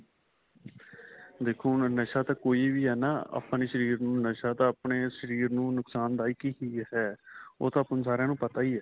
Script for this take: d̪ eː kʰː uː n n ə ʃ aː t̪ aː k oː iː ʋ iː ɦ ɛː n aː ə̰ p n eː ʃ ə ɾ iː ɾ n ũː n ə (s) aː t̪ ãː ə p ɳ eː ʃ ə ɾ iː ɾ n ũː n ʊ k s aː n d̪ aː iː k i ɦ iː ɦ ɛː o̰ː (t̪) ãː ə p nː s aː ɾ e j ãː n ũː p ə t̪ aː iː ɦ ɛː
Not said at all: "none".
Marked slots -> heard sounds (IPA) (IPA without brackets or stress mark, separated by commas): ʃ, t̪